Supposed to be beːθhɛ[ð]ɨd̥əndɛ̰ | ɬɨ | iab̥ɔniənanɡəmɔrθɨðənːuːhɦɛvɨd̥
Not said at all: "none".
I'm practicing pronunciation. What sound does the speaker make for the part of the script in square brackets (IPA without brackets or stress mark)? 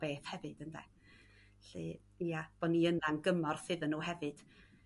v